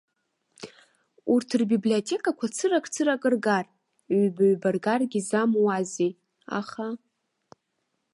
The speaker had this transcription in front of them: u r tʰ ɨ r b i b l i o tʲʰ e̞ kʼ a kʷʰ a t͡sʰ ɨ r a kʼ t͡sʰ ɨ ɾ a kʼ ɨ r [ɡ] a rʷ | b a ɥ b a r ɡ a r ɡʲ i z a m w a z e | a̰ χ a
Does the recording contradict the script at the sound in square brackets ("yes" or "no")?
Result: no